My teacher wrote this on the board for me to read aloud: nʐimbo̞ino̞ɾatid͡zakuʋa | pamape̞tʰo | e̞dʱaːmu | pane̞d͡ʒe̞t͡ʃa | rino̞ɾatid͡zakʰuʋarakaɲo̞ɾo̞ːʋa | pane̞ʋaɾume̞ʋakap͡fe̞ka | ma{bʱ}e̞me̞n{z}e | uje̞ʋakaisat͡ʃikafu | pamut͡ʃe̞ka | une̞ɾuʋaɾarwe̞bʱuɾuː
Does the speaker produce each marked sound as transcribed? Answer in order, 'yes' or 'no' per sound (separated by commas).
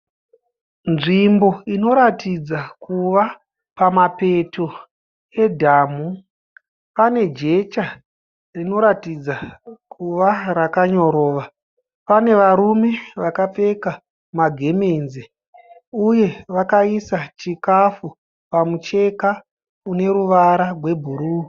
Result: no, yes